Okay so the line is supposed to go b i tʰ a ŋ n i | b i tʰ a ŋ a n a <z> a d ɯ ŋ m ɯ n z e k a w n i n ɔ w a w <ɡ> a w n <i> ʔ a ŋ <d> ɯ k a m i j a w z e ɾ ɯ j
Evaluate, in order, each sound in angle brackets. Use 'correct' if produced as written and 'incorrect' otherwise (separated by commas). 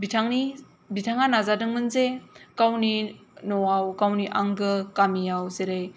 correct, incorrect, correct, incorrect